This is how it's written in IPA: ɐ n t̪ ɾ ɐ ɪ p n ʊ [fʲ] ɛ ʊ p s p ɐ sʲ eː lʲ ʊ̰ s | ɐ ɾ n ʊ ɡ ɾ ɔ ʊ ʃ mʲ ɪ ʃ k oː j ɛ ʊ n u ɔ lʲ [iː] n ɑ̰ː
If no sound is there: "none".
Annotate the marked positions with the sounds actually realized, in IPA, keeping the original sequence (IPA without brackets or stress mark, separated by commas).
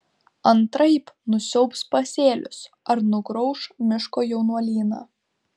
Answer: sʲ, iː